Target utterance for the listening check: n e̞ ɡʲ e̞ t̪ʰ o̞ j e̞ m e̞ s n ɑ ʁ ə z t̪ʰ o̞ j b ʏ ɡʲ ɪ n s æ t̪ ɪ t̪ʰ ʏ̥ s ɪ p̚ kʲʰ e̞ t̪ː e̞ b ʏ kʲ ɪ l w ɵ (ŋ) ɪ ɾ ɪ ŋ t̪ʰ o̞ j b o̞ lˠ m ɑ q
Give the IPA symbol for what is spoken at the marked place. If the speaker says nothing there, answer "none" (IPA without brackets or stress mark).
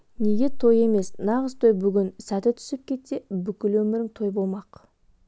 m